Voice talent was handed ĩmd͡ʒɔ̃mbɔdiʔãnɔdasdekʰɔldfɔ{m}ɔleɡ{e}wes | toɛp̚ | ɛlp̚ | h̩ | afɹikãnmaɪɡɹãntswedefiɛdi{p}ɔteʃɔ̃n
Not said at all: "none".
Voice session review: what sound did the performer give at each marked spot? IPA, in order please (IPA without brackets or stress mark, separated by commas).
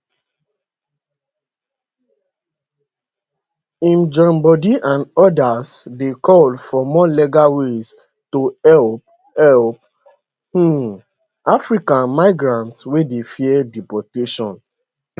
m, a, p